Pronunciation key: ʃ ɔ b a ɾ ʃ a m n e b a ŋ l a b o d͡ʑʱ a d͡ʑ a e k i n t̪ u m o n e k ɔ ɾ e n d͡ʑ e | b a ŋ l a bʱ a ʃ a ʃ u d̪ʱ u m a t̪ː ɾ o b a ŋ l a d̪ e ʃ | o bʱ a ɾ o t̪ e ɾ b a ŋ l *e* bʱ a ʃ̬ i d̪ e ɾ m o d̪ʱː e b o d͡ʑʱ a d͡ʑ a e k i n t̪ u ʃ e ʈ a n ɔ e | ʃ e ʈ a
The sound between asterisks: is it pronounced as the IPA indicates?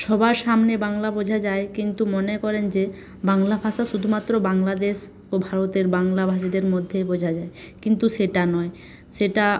no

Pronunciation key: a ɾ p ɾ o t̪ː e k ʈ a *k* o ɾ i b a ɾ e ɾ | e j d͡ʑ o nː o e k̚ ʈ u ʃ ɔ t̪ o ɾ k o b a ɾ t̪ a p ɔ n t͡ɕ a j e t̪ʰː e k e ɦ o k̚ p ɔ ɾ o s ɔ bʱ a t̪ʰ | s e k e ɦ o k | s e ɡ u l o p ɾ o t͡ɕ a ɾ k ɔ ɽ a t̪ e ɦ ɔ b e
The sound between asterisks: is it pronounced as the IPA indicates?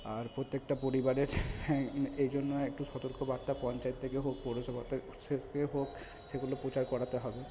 no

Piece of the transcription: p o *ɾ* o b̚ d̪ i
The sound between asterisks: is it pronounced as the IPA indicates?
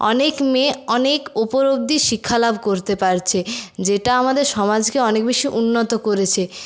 yes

